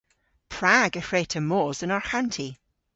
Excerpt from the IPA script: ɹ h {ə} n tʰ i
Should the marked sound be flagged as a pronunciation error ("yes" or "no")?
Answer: yes